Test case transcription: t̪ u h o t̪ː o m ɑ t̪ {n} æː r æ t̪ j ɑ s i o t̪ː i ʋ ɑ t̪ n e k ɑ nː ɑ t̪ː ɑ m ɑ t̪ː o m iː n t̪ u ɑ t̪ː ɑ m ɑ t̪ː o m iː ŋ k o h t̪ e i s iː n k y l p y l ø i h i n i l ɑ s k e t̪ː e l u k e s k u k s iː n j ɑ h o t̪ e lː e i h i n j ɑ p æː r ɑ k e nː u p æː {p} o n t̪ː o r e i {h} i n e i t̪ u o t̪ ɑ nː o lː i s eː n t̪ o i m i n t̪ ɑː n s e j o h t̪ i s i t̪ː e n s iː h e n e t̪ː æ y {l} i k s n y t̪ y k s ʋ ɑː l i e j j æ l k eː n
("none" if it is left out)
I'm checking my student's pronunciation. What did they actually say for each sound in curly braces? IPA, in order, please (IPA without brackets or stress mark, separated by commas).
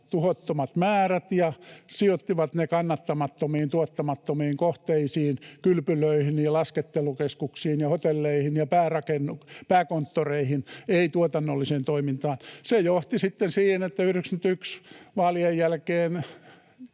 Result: m, k, h, r